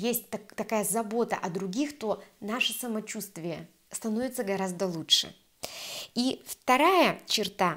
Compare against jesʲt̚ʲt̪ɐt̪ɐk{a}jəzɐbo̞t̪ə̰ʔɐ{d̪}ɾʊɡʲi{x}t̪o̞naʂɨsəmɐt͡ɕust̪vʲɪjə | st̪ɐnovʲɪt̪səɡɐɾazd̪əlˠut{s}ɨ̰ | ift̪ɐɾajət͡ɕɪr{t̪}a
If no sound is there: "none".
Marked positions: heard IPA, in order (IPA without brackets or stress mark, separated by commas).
a, d̪, x, ʂ, t̪